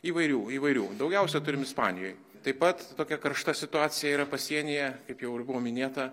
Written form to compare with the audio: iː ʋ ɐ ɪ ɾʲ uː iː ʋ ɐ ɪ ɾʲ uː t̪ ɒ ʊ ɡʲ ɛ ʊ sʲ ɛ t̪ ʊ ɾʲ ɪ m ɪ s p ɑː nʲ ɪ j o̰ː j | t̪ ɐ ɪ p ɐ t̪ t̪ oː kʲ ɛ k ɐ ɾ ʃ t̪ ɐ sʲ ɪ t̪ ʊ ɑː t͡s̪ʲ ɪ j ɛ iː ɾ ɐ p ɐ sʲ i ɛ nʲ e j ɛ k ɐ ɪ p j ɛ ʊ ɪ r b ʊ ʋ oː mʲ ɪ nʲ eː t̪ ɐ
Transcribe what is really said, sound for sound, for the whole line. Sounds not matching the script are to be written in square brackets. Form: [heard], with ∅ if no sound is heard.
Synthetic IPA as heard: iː ʋ ɐ ɪ ɾʲ uː iː ʋ ɐ ɪ ɾʲ uː [d̪] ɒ ʊ ɡʲ ɛ ʊ sʲ ɛ t̪ ʊ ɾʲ ɪ m ɪ s p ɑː nʲ ɪ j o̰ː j | t̪ ɐ ɪ p ɐ t̪ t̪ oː kʲ ɛ k ɐ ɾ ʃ t̪ ɐ sʲ ɪ t̪ ʊ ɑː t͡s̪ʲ ɪ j ɛ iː ɾ ɐ p ɐ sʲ i ɛ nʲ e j ɛ k ɐ ɪ p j ɛ ʊ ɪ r b ʊ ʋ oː mʲ ɪ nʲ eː t̪ ɐ